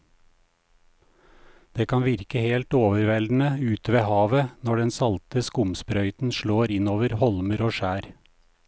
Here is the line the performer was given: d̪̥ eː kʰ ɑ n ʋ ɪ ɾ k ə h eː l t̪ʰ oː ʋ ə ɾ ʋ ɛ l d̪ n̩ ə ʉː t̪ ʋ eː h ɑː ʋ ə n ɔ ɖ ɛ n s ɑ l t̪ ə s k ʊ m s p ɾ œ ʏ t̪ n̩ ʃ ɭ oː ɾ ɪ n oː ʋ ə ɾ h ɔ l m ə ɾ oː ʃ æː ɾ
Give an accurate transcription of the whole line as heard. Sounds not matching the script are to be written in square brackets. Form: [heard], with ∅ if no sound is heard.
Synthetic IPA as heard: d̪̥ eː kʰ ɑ n ʋ ɪ ɾ k ə h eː l [t̪] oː ʋ ə ɾ ʋ ɛ l d̪ n̩ ə ʉː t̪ ʋ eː h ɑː ʋ ə n ɔ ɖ ɛ n s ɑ l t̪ ə s k ʊ m s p ɾ œ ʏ t̪ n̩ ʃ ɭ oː ɾ ɪ n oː ʋ ə ɾ h ɔ l m ə ɾ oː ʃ æː ɾ